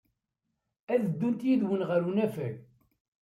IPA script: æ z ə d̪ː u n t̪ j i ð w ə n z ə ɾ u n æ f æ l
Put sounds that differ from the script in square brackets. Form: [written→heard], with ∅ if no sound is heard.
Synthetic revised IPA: æ [z→ð] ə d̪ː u n t̪ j i ð w ə n [z→ʁ] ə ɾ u n æ f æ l

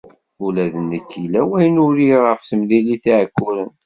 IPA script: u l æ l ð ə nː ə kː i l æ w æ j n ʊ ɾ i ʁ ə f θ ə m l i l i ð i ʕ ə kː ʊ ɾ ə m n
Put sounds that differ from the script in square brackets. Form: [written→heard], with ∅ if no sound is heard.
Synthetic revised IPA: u l æ [l→∅] ð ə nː ə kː i l æ w æ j n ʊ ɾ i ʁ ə f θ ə m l i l i [ð→θ] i ʕ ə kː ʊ ɾ ə [m→∅] n

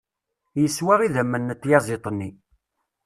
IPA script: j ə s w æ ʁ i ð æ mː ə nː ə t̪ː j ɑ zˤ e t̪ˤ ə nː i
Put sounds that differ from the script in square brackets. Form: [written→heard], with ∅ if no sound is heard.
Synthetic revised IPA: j ə s w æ ʁ i ð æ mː ə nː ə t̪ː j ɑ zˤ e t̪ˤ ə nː i

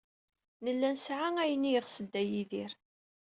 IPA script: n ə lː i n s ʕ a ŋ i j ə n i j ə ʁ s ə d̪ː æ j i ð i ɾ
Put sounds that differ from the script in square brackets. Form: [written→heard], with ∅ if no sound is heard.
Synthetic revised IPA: n ə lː [i→æ] n s ʕ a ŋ [i→æ] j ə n i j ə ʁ s ə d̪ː æ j i ð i ɾ

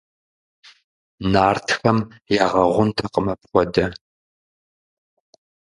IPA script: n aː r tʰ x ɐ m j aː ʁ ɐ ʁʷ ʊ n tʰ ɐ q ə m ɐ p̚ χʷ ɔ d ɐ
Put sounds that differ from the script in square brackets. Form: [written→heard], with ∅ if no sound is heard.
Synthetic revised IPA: n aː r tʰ x ɐ m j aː ʁ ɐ ʁʷ ʊ n tʰ ɐ q ə m ɐ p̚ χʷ ɔ d ɐ

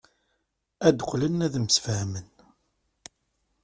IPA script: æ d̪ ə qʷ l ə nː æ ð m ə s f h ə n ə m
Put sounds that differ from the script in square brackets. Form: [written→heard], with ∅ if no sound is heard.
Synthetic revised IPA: æ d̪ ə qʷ l ə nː æ ð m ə s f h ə [n→m] ə [m→n]

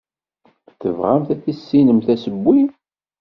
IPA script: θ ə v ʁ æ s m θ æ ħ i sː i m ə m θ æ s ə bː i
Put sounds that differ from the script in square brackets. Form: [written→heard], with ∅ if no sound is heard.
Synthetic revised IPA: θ ə v ʁ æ [s→∅] m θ æ [ħ→θ] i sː i [m→n] ə m θ æ s ə bː i

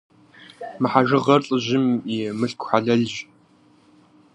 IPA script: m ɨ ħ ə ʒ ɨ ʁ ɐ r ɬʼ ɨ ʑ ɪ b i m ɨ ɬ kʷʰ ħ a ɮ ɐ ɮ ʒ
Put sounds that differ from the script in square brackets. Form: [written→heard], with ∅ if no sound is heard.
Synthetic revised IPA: m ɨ ħ [ə→a] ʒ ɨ ʁ ɐ r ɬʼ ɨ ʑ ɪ [b→m] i m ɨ ɬ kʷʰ ħ a ɮ ɐ ɮ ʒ

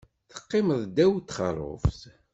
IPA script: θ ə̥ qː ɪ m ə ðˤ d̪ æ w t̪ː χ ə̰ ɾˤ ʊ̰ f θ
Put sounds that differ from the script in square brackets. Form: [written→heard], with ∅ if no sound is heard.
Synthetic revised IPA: θ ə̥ qː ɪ m ə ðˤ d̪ æ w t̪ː χ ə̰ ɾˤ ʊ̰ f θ

